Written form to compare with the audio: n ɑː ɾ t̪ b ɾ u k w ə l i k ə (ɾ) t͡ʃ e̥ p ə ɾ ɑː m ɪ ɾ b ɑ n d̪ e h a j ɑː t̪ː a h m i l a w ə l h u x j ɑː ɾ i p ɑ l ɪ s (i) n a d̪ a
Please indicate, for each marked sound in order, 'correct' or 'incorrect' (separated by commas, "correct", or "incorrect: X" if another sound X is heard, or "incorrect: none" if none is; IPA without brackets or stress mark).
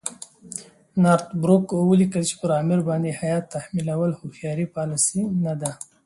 incorrect: l, correct